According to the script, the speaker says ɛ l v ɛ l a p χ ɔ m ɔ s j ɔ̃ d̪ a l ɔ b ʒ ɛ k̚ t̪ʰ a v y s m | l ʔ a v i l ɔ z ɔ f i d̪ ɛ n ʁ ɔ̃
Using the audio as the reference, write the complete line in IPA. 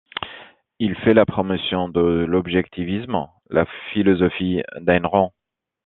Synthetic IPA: i l f ɛ l a p χ ɔ m ɔ s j ɔ̃ d̪ ə l ɔ b ʒ ɛ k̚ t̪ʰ i v i s m | l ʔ a f i l ɔ z ɔ f i d̪ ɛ n ʁ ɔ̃